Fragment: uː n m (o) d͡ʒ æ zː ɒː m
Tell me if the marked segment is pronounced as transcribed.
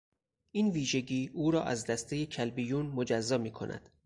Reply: yes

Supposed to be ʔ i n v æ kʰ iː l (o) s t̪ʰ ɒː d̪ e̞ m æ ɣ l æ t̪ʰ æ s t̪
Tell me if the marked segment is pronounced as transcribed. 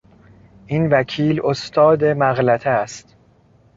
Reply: yes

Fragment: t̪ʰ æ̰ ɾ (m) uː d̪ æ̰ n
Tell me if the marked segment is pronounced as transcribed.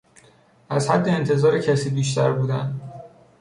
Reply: no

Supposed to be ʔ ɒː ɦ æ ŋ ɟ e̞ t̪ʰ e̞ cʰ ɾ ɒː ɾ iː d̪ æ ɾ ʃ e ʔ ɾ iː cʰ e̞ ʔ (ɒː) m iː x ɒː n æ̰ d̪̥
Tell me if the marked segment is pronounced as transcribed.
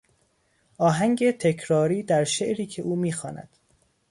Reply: no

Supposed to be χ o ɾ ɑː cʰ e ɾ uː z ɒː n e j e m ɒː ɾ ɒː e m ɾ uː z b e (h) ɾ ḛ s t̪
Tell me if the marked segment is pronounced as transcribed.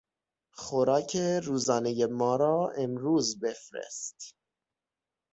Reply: no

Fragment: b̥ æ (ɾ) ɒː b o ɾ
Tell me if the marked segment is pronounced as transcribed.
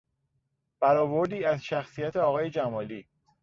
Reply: yes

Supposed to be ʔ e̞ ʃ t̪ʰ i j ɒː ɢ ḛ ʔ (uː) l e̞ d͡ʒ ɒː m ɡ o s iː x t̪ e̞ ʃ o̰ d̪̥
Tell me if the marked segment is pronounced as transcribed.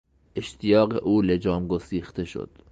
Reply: yes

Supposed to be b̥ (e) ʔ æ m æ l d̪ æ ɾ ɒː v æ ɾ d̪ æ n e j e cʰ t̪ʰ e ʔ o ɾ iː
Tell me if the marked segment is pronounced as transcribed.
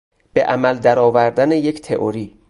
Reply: yes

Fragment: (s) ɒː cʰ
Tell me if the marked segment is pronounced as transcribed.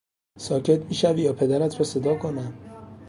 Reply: yes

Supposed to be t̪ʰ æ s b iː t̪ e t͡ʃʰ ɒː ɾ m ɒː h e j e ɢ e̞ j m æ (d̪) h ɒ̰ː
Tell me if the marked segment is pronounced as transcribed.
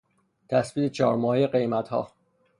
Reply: no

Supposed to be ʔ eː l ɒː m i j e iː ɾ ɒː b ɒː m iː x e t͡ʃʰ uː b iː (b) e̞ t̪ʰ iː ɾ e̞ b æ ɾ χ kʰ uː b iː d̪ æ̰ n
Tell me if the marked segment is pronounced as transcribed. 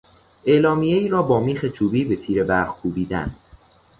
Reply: yes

